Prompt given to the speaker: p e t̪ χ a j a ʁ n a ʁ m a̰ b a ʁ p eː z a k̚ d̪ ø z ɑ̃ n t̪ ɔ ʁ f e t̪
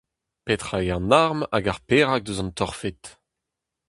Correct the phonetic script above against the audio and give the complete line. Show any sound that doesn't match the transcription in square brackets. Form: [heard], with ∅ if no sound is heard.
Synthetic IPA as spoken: p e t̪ χ a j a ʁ n a ʁ m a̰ [ɡ] a ʁ p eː [ʁ] a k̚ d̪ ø z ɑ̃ n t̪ ɔ ʁ f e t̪